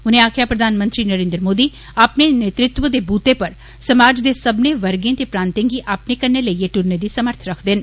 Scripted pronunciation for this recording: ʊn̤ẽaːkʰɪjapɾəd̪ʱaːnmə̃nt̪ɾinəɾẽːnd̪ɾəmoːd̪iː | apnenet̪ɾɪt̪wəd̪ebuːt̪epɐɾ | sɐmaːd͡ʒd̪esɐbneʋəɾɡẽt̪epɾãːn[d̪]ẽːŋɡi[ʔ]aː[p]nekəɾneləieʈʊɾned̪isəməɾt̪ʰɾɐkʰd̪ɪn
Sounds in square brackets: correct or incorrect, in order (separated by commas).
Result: incorrect, correct, correct